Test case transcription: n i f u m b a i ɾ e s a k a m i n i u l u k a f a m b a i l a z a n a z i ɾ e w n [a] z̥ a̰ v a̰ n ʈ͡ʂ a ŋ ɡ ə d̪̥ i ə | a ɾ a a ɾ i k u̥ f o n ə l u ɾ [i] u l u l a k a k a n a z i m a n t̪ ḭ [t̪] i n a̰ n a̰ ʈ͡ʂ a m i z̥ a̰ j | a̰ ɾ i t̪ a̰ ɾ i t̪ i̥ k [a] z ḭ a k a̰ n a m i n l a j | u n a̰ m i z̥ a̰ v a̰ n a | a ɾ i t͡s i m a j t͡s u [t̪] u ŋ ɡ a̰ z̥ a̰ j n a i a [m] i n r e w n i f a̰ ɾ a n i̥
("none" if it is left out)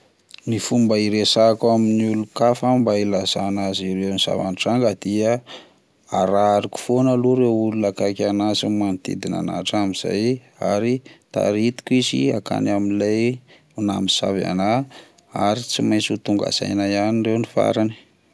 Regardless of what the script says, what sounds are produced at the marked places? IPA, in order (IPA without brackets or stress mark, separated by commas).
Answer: i, e, d̪, i, t̪, n